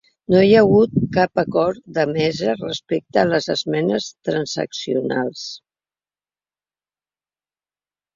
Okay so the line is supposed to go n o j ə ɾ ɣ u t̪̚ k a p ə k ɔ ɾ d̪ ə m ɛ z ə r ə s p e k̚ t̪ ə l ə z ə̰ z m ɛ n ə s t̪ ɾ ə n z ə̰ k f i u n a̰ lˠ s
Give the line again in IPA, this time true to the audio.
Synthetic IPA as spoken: n o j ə ɣ u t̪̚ k a p ə k ɔ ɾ d̪ ə m ɛ z ə r ə s p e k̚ t̪ ə l ə z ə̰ z m ɛ n ə s t̪ ɾ ə n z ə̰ k s i u n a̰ lˠ s